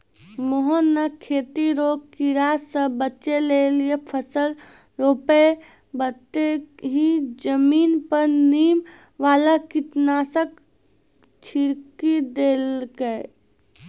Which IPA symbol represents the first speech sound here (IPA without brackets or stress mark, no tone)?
m